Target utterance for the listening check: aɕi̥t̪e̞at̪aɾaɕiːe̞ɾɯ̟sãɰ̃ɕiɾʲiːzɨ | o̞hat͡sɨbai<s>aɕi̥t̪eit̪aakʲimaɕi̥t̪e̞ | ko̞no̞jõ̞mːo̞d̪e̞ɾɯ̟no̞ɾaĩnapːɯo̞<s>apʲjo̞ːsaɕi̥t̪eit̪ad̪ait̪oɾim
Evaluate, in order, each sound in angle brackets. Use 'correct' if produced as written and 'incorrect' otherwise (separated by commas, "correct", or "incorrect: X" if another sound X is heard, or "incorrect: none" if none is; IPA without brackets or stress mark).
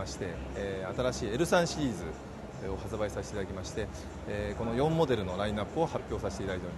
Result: correct, incorrect: h